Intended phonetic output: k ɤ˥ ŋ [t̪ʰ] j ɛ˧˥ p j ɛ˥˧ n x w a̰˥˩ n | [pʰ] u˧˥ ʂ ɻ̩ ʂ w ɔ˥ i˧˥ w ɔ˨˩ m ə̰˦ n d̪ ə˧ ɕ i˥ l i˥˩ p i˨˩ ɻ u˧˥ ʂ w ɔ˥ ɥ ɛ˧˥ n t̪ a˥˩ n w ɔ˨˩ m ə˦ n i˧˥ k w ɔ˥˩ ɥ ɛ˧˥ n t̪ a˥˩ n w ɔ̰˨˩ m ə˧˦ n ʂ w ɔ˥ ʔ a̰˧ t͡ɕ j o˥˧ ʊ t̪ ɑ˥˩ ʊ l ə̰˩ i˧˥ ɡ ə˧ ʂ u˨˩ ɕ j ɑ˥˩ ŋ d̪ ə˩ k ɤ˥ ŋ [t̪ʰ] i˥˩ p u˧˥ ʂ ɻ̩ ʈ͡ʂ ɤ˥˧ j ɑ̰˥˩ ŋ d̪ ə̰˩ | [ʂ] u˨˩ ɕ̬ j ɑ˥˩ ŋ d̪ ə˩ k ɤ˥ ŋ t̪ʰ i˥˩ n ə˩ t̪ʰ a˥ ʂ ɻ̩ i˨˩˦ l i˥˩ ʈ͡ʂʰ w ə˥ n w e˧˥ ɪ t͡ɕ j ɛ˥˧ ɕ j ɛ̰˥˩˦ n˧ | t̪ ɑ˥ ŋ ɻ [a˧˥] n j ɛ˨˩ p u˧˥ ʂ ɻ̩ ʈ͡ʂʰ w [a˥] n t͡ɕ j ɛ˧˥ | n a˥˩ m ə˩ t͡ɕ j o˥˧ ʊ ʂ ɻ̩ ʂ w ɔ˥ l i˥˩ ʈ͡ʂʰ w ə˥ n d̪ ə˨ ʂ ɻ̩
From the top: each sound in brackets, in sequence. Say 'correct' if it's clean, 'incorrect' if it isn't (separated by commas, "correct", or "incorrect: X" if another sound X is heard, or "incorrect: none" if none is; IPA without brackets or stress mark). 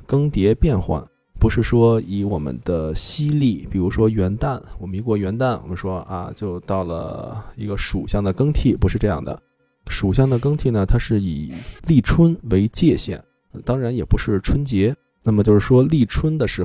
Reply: incorrect: t̪, incorrect: p, correct, correct, correct, incorrect: ə˥